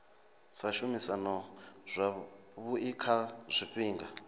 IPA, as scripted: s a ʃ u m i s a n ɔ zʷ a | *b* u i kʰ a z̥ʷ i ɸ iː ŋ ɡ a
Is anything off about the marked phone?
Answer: yes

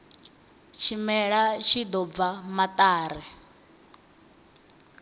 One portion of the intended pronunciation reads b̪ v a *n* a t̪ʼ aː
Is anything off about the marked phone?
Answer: yes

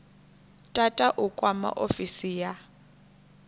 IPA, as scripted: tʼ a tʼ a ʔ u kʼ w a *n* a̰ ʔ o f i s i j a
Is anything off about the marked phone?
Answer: yes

